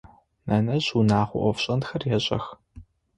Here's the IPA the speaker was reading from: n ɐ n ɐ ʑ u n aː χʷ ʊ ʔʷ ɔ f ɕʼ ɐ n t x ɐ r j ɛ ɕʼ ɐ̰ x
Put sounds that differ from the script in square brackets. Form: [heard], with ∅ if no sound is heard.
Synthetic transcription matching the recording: n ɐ n ɐ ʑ u n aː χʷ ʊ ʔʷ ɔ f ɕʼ ɐ n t x ɐ r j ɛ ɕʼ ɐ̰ x